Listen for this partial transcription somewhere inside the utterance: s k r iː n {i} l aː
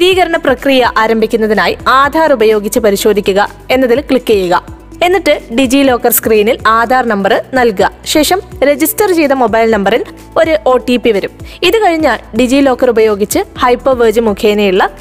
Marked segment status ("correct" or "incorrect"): correct